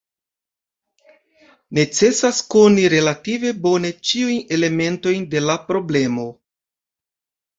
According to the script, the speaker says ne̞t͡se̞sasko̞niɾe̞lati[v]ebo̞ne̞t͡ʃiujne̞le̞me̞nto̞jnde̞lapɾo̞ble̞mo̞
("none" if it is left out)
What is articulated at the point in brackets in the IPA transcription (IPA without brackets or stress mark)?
v